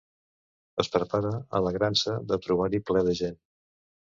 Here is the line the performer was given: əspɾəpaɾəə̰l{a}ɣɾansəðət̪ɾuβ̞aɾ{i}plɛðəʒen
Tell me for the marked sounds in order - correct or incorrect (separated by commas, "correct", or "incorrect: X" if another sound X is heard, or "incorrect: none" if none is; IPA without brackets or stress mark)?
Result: incorrect: ə, correct